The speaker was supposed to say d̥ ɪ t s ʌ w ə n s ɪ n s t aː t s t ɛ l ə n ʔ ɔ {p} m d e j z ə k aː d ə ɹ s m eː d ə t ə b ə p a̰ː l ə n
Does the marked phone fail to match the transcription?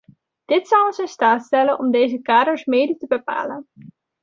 yes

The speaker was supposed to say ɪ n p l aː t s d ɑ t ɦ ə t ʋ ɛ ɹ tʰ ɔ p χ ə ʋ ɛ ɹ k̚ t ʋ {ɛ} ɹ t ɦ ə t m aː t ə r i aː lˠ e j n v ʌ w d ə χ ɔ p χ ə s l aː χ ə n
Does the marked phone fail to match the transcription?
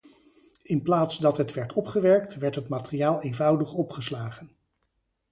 no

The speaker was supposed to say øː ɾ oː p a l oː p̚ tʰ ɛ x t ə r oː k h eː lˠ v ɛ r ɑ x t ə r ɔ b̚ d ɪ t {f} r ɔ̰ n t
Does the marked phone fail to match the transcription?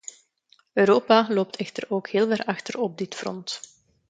no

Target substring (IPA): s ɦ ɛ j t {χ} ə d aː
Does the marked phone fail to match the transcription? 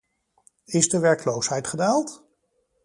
no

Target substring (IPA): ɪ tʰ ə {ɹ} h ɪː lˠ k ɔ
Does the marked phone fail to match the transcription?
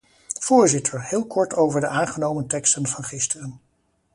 no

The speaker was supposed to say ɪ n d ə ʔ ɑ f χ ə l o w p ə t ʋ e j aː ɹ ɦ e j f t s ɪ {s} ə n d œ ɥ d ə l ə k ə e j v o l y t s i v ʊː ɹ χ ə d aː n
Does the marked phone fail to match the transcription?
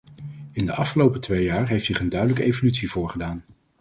yes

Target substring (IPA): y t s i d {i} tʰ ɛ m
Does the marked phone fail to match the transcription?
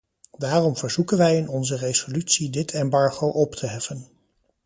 yes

